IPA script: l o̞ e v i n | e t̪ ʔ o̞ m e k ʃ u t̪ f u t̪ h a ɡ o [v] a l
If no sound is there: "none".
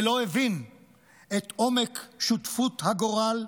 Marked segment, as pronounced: ʁ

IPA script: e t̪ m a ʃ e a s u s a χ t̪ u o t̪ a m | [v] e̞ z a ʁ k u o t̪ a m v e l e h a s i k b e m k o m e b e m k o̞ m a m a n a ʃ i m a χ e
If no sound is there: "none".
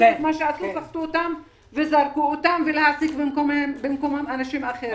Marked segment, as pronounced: v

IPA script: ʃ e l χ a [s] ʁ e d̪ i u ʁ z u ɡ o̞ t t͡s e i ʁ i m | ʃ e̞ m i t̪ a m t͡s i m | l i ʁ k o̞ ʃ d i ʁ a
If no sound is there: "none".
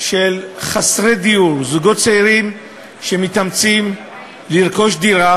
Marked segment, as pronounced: s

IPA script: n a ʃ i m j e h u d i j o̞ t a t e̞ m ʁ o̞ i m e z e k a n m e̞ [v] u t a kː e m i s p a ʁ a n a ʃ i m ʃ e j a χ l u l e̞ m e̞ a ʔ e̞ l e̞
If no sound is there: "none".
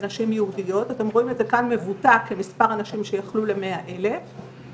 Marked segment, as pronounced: v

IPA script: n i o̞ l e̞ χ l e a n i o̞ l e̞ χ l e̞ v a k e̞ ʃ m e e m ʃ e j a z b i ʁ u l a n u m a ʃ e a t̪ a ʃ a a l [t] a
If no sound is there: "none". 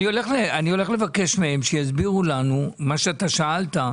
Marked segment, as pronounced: t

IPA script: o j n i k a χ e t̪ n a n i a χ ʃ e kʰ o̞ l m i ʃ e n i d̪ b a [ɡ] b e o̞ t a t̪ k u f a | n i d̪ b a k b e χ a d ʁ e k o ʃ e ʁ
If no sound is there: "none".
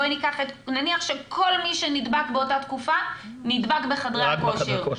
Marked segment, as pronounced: k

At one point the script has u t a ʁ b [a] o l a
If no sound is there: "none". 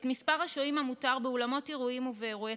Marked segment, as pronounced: e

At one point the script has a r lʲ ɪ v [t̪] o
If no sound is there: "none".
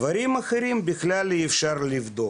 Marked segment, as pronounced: d̪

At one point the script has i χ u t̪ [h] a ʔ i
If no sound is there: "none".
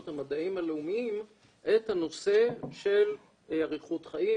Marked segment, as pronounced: χ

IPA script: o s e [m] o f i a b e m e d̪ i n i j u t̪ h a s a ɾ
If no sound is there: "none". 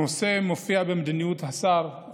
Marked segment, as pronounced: m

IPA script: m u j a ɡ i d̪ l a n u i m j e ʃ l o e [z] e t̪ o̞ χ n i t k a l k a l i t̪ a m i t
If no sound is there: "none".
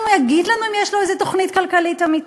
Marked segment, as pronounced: z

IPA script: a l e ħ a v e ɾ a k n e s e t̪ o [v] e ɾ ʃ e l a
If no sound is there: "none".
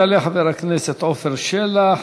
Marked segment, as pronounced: f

